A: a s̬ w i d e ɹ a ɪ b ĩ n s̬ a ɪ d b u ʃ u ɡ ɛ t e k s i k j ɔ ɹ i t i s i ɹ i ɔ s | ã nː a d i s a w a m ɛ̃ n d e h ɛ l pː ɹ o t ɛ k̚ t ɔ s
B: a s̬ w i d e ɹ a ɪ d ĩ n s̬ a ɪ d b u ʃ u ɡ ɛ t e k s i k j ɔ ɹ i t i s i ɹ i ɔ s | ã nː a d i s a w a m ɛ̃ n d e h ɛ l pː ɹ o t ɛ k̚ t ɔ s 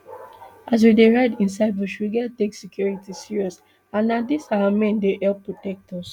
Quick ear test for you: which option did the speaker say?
B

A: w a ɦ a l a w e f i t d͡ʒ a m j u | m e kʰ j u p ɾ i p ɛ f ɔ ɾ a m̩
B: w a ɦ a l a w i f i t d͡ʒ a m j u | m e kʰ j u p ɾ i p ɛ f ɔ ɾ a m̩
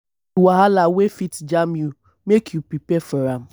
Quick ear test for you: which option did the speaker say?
A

